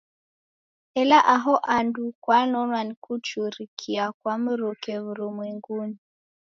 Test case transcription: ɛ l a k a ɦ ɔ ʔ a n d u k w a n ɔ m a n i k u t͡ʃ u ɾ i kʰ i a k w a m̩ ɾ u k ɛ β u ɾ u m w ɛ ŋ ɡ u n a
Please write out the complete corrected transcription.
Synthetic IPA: ɛ l a ʔ a ɦ ɔ ʔ a n d u k w a n ɔ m a n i k u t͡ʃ u ɾ i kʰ i a k w a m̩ ɾ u k ɛ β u ɾ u m w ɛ ŋ ɡ u n i